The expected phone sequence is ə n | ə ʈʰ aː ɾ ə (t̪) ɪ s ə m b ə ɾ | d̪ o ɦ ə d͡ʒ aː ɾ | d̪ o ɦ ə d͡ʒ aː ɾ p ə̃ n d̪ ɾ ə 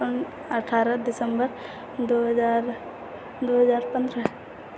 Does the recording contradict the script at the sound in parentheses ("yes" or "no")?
yes